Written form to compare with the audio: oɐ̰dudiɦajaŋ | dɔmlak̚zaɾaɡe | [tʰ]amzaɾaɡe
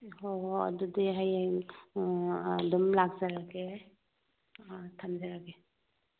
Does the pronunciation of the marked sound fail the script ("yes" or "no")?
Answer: no